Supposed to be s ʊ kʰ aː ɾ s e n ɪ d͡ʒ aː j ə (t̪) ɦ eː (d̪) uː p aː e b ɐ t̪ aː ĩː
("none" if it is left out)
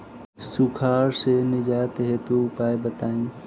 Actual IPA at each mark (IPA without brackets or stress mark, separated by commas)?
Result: t̪, t̪